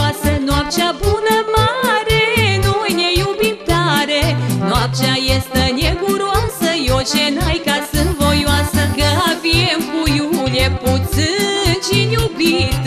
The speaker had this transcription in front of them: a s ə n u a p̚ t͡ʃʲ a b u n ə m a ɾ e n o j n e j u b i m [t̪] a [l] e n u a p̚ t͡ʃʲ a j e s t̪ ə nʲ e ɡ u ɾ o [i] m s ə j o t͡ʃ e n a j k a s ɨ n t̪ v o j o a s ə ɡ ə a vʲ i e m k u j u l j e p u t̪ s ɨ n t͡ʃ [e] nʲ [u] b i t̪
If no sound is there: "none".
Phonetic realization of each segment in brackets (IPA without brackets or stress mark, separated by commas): t̪, ɾ, a, i, u